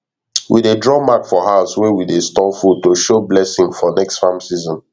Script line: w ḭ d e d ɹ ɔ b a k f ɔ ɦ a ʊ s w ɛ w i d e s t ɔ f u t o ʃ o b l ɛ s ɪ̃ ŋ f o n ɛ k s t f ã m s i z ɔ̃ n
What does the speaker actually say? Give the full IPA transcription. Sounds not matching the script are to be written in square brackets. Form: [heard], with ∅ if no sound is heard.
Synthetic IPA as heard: w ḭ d e d ɹ ɔ [m] a k f ɔ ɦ a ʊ s w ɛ w i d e s t ɔ f u t o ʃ o b l ɛ s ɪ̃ ŋ f [ɔ] n ɛ k s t f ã m s i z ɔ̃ n